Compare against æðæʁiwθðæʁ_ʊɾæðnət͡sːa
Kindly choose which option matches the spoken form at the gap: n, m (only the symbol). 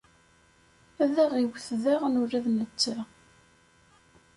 n